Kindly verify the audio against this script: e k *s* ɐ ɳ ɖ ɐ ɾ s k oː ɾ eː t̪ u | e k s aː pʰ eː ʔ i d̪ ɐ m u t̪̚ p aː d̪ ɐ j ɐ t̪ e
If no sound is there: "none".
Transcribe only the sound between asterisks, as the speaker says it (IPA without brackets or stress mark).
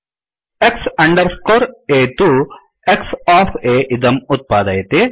s